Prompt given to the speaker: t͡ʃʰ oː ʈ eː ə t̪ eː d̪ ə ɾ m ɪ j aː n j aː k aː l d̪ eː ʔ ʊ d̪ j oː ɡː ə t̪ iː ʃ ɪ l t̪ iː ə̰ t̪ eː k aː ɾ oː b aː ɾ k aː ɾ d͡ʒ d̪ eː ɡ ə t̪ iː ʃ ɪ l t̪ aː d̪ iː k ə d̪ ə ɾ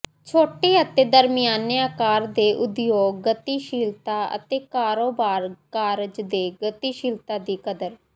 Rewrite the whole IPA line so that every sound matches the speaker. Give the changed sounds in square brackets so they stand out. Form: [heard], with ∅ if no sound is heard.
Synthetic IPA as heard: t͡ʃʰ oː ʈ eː ə t̪ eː d̪ ə ɾ m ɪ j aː n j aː k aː [ɾ] d̪ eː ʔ ʊ d̪ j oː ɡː ə t̪ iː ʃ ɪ l t̪ [aː] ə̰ t̪ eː k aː ɾ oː b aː ɾ k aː ɾ d͡ʒ d̪ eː ɡ ə t̪ iː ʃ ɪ l t̪ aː d̪ iː k ə d̪ ə ɾ